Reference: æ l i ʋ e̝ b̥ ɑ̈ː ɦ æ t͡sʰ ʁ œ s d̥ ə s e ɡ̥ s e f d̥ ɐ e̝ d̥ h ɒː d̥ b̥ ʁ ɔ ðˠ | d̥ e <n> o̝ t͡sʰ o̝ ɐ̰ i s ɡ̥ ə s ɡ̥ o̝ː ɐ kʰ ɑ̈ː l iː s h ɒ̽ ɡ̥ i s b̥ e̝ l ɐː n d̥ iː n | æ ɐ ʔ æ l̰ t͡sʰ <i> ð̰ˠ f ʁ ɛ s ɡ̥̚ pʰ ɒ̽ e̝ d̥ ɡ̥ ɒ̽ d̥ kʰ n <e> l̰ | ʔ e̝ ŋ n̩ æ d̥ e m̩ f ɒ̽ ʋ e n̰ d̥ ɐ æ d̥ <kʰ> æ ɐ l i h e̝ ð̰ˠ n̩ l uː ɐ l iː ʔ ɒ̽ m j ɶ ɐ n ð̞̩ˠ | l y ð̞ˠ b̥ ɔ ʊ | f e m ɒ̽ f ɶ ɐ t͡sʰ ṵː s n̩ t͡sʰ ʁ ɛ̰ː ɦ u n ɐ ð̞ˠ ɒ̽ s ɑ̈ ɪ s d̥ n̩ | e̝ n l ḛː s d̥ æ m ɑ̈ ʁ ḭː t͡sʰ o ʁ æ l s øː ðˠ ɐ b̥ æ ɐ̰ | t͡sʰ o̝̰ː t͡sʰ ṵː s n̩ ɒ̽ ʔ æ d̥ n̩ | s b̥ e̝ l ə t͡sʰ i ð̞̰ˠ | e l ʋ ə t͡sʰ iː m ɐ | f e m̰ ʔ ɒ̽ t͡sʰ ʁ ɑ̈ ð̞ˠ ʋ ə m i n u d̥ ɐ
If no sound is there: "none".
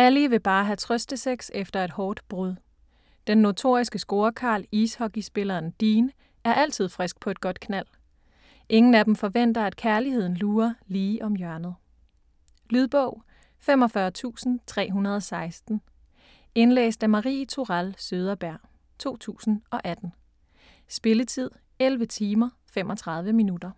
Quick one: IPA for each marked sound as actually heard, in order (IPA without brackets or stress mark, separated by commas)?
nː, i, æ, kʰ